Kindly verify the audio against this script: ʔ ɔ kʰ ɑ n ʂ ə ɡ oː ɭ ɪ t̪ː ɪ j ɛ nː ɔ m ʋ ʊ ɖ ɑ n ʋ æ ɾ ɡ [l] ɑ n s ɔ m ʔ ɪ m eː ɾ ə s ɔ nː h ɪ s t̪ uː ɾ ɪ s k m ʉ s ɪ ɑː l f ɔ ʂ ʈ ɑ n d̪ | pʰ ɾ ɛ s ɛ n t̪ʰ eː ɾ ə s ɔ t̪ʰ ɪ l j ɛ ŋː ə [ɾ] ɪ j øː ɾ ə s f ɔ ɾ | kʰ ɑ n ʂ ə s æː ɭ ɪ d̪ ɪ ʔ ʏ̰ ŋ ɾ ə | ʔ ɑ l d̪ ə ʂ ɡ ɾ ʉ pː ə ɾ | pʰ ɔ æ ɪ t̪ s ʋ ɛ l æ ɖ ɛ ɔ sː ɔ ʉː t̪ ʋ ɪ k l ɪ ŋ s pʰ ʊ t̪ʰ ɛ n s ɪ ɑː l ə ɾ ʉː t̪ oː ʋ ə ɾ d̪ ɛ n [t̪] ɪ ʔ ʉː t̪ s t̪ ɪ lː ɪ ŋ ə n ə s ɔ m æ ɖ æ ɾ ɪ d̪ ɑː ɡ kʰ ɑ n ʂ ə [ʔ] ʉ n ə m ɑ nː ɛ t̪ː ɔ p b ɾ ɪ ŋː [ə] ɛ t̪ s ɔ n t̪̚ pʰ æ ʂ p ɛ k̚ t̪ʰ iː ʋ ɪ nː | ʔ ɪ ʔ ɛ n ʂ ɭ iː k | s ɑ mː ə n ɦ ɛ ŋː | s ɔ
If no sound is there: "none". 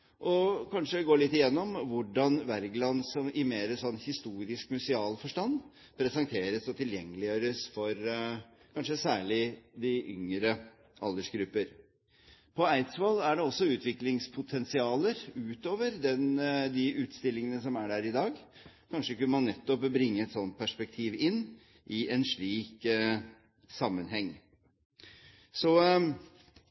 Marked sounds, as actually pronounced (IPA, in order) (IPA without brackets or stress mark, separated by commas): l, l, d̪, k, ə